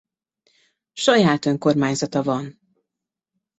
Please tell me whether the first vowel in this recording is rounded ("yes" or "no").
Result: yes